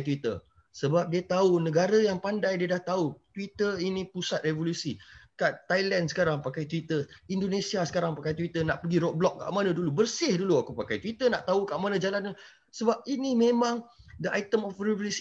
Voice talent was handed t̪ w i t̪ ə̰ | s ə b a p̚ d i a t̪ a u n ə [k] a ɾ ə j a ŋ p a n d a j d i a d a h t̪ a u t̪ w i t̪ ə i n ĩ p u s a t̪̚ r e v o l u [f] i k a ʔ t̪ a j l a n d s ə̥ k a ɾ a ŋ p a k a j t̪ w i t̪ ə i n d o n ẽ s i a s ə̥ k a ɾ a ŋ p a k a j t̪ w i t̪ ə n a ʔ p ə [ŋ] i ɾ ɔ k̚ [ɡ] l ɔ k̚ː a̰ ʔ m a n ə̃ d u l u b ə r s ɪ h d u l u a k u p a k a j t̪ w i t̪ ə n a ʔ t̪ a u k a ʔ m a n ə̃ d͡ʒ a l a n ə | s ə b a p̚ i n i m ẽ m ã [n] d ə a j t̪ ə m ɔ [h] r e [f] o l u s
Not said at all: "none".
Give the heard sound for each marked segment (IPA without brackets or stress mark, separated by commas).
ɡ, s, ɡ, b, ŋ, f, v